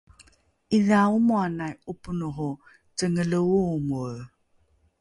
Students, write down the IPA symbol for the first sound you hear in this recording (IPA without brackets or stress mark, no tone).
i